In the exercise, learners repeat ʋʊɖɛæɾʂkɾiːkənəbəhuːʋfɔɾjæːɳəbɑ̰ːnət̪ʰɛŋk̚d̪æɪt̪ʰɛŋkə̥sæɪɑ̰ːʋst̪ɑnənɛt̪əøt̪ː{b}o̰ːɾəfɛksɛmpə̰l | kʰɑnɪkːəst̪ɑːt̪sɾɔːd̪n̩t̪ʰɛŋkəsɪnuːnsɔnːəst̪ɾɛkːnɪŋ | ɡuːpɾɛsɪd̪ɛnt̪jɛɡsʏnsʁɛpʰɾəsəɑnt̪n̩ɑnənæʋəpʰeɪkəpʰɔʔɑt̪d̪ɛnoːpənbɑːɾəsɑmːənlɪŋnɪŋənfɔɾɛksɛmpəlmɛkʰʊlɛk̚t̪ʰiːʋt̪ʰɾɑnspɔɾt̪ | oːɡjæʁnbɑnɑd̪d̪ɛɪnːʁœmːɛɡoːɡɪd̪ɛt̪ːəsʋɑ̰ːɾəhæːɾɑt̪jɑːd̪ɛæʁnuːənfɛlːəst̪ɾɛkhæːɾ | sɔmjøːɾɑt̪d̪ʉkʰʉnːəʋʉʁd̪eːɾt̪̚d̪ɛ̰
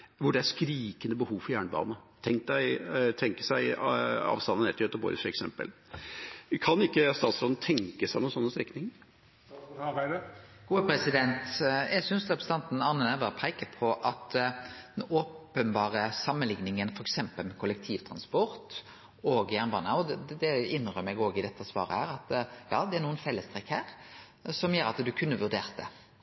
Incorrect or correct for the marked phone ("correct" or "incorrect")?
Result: correct